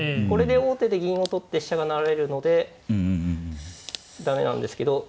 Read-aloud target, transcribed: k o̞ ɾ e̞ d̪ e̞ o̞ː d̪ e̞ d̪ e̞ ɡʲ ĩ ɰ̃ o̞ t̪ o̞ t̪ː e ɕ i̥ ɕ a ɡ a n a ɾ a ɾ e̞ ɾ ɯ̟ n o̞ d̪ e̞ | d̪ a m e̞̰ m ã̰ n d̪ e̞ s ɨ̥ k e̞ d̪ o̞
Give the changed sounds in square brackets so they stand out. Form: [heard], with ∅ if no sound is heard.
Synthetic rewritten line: k o̞ ɾ e̞ d̪ e̞ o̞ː [t̪] e̞ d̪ e̞ ɡʲ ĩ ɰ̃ o̞ t̪ o̞ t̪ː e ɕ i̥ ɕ a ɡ a n a ɾ a ɾ e̞ ɾ ɯ̟ n o̞ d̪ e̞ | d̪ a m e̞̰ [n] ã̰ n d̪ e̞ s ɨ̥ k e̞ d̪ o̞

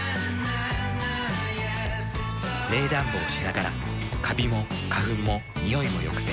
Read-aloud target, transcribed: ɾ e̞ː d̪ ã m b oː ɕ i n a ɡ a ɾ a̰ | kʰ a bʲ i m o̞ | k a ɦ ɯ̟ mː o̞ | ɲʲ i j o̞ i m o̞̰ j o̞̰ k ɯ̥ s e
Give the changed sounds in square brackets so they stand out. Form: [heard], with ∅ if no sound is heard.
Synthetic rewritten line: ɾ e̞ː d̪ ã m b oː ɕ i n a ɡ a ɾ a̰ | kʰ a bʲ i m o̞ | k a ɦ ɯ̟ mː o̞ | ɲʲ i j o̞ i m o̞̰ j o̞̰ k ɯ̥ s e

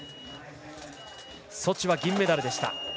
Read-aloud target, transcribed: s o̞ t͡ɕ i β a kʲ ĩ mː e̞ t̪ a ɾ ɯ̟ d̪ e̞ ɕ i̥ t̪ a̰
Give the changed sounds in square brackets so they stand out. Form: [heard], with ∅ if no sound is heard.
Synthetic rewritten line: s o̞ t͡ɕ i β a [ɡʲ] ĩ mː e̞ [d̪] a ɾ ɯ̟ d̪ e̞ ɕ i̥ t̪ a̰

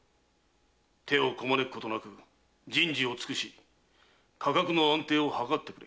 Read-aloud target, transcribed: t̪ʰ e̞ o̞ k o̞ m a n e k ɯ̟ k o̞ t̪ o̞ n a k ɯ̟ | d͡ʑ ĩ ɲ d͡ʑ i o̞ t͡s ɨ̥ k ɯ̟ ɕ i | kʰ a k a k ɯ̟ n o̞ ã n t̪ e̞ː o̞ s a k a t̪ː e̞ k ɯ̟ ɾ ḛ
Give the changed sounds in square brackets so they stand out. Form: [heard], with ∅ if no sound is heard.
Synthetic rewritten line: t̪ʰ e̞ o̞ k o̞ m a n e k ɯ̟ k o̞ t̪ o̞ n a k ɯ̟ | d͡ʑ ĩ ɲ d͡ʑ i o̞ t͡s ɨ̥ k ɯ̟ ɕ i | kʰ a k a k ɯ̟ n o̞ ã n t̪ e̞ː o̞ [h] a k a t̪ː e̞ k ɯ̟ ɾ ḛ

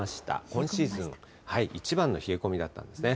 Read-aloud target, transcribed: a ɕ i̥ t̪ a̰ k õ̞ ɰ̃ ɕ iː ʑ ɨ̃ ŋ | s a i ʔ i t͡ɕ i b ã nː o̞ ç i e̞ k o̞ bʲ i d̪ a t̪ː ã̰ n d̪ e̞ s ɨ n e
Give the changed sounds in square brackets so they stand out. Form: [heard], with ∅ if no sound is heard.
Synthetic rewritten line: a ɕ i̥ t̪ a̰ k õ̞ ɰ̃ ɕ iː [z] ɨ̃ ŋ | [h] a i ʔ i t͡ɕ i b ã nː o̞ ç i e̞ k o̞ [mʲ] i d̪ a t̪ː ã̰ n d̪ e̞ s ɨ n e

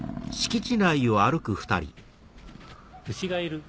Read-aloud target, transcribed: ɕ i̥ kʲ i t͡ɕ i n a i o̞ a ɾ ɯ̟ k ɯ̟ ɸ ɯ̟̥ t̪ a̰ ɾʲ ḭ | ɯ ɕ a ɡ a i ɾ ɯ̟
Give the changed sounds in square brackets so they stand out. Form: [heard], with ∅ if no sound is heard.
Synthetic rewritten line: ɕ i̥ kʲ i t͡ɕ i n a i o̞ a ɾ ɯ̟ k ɯ̟ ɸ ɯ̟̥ t̪ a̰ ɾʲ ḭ | ɯ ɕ [i] ɡ a i ɾ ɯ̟

